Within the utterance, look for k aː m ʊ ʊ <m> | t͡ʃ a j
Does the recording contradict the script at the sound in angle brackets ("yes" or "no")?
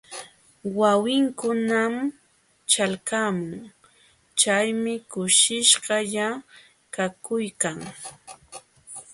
yes